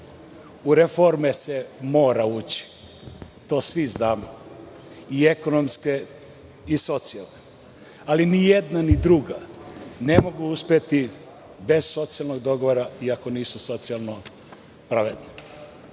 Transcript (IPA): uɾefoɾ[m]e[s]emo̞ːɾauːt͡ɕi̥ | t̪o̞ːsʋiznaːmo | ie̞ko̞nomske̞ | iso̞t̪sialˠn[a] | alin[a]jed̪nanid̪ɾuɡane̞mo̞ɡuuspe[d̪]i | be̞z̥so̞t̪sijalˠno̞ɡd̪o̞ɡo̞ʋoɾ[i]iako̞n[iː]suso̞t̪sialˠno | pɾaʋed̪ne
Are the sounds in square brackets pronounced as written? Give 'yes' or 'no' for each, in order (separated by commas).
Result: yes, yes, no, no, no, no, yes